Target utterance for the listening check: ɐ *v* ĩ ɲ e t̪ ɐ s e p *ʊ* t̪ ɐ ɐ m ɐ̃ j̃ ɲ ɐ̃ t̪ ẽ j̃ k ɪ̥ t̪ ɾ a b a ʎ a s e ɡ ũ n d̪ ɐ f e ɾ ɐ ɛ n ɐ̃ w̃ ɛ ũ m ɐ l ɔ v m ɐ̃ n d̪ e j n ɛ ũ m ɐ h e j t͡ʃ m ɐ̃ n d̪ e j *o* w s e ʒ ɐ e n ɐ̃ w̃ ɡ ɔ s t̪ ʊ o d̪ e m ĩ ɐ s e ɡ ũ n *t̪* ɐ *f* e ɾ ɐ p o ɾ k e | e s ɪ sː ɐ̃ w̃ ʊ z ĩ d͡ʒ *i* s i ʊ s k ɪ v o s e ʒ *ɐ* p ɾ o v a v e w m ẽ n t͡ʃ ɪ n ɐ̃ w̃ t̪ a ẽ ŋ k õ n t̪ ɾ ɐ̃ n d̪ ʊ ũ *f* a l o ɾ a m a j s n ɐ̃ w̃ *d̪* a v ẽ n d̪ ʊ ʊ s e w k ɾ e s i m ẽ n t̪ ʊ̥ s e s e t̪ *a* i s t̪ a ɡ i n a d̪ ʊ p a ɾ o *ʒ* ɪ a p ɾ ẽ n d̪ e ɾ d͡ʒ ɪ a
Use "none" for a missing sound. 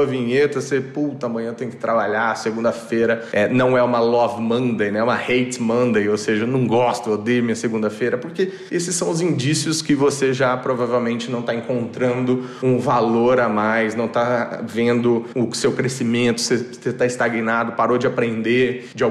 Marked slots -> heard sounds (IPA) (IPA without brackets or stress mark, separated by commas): v, u, o, d̪, f, i, a, v, t̪, a, d͡ʒ